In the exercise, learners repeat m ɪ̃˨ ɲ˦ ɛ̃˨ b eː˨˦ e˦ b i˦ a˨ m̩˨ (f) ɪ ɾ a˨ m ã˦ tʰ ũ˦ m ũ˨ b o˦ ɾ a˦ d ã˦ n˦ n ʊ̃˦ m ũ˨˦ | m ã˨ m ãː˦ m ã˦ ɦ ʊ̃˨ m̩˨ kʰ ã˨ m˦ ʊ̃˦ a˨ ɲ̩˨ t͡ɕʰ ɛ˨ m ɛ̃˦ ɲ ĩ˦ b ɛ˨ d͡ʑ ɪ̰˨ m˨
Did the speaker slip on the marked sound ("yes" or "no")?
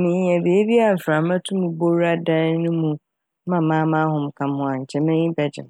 no